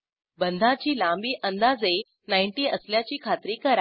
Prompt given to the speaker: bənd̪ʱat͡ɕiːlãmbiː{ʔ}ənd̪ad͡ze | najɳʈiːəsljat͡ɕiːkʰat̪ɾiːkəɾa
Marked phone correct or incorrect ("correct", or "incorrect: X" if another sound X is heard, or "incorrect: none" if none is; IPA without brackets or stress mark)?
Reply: correct